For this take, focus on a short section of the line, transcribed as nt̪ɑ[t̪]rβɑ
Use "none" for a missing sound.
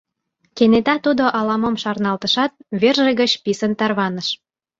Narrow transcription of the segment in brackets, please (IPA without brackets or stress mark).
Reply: none